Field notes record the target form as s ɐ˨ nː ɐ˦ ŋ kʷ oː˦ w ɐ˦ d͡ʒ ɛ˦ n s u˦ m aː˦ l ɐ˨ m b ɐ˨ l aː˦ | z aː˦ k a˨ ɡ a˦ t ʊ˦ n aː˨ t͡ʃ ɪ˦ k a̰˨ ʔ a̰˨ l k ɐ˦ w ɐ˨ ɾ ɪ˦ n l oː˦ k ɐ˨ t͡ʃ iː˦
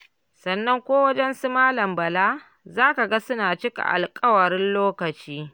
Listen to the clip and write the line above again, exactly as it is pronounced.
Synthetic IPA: s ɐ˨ nː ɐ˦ ŋ kʷ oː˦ w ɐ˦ d͡ʒ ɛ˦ n s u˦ m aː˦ l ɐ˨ m b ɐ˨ l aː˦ | z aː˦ k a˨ ɡ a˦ s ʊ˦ n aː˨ t͡ʃ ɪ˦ k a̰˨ ʔ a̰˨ l kʼ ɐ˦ w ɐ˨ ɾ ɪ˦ n l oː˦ k ɐ˨ t͡ʃ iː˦